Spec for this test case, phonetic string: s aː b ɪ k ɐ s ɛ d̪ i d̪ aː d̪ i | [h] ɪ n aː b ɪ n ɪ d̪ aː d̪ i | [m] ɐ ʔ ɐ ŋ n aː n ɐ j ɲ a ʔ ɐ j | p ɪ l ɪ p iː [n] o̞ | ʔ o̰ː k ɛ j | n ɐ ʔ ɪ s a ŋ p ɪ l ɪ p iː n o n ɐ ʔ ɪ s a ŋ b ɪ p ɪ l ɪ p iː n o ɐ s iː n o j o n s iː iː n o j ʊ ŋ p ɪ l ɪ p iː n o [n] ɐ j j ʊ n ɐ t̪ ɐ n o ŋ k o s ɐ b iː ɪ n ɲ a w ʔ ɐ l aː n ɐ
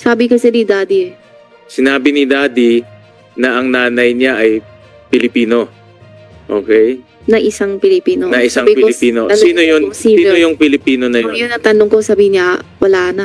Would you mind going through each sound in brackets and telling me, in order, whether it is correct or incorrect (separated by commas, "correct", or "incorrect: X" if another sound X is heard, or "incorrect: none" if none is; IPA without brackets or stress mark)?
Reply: incorrect: s, incorrect: n, correct, correct